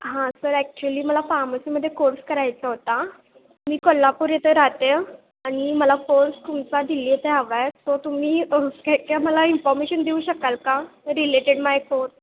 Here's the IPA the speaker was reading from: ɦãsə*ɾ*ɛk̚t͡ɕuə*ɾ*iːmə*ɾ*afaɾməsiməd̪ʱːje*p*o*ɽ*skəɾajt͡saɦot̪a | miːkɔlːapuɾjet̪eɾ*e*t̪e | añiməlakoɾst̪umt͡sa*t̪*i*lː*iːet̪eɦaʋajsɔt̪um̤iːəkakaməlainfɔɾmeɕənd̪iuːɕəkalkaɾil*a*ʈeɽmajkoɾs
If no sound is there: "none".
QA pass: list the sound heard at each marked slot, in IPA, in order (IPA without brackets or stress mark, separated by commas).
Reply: ɾ, l, l, k, ɾ, a, d̪, l, e